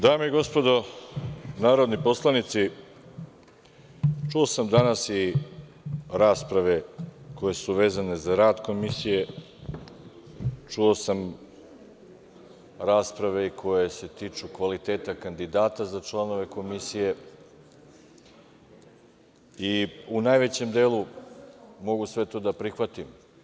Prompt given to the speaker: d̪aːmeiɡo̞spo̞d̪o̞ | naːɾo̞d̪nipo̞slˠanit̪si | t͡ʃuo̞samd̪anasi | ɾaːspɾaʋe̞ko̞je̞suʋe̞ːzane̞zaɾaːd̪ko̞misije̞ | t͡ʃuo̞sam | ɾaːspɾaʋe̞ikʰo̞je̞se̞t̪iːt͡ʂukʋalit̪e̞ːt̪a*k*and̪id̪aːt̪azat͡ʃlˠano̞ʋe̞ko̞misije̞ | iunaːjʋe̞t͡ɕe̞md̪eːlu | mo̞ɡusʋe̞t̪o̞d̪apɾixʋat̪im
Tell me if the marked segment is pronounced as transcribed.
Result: yes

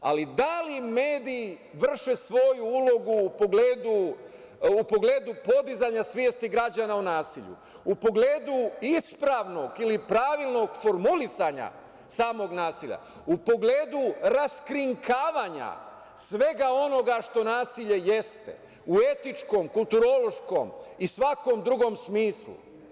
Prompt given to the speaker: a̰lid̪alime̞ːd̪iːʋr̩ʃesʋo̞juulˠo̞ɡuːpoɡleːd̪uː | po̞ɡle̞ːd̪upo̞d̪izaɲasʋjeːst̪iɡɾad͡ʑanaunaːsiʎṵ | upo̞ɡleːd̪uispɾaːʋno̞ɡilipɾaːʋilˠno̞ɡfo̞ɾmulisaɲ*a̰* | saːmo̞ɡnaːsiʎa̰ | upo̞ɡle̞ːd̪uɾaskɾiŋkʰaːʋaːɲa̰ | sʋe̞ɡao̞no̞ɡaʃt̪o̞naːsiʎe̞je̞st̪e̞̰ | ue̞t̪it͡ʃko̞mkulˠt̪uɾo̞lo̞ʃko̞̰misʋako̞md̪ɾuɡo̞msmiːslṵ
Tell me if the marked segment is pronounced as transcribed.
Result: yes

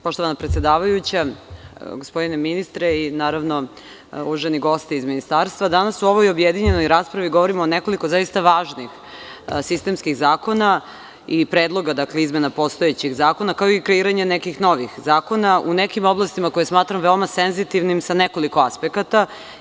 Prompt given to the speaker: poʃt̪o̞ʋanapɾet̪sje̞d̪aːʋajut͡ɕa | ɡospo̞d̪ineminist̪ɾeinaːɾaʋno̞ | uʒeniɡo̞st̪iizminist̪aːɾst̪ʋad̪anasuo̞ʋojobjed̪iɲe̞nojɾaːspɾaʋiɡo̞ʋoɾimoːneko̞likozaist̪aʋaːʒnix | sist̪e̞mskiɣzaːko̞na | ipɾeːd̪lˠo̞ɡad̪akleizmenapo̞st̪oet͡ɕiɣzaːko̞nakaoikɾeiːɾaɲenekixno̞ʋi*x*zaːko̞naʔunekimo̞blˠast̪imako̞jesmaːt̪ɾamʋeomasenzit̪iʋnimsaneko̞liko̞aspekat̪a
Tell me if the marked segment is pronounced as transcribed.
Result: yes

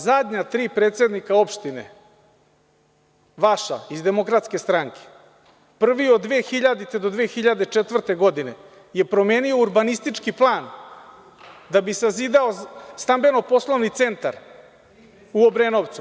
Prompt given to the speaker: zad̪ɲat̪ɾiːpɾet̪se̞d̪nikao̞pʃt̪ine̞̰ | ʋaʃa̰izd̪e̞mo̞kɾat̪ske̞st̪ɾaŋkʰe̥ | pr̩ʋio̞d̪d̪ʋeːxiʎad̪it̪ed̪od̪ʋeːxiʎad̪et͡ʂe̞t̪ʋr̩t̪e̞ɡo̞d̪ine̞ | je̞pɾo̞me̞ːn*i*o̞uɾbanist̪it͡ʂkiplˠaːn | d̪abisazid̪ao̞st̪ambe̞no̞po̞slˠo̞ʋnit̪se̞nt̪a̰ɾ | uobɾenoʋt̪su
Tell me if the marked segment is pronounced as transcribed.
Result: yes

